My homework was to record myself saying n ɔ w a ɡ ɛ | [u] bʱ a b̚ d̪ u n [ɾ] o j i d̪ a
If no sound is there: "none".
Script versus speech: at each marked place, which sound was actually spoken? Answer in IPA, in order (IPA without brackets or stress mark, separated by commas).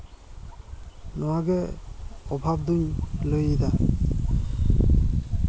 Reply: ɔ, l